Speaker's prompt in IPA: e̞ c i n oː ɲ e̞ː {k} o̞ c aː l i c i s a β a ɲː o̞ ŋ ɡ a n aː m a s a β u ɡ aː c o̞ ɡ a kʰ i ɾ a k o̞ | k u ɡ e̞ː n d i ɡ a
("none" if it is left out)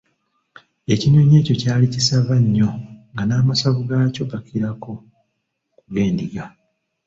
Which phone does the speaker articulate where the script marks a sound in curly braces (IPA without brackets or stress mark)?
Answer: c